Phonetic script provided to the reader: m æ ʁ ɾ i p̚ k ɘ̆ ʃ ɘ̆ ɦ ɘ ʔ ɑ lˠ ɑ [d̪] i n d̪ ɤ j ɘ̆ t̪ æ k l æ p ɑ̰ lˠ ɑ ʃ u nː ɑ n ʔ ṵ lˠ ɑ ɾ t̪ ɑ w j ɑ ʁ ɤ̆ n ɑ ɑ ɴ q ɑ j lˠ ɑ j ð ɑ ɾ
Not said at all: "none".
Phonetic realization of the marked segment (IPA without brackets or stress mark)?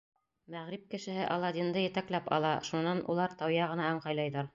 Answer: d̪